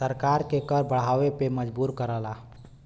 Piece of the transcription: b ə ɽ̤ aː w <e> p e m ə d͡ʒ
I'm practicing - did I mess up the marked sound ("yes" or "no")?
no